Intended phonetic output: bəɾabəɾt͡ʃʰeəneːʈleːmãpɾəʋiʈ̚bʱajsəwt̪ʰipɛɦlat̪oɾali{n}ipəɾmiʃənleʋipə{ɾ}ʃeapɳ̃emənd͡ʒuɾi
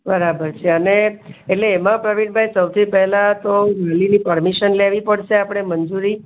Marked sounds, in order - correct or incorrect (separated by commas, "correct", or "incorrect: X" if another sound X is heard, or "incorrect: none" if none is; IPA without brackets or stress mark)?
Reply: correct, incorrect: ɽ